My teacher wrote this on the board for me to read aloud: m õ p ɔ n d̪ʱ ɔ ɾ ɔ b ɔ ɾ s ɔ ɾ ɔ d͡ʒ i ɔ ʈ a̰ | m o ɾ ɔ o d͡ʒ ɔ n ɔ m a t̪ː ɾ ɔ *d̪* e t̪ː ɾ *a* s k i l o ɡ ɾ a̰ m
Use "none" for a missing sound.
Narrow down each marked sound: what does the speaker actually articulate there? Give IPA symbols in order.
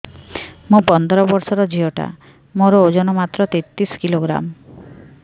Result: t̪, i

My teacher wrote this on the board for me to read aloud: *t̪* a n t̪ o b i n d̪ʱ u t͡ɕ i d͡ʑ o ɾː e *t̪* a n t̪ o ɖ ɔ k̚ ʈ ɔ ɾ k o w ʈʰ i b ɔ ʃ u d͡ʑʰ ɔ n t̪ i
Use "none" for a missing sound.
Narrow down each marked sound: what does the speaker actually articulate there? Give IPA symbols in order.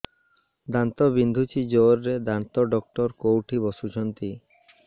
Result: d̪, d̪

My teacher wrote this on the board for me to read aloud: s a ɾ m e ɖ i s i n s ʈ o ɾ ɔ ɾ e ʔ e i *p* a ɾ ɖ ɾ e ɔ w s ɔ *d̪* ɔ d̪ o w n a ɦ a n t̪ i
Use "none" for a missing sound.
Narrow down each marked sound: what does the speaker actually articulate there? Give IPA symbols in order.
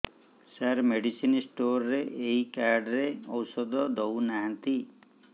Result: k, d̪

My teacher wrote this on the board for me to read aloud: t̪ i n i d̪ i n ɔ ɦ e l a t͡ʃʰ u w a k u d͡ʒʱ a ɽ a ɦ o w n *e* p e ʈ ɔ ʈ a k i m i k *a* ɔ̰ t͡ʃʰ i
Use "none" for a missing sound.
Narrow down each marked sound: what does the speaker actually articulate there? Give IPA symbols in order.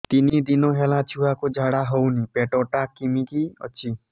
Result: i, i

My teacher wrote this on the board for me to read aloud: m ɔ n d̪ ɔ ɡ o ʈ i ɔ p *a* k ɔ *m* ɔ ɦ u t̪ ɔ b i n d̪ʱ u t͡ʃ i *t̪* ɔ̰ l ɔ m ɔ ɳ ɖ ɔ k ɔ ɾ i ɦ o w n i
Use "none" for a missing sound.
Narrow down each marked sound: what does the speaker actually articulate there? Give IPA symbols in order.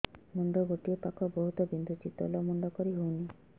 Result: a, b, t̪

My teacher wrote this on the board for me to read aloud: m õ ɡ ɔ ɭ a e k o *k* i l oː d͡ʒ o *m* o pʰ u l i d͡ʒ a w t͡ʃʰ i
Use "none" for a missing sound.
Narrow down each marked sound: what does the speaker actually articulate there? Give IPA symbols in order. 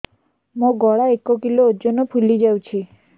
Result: k, n

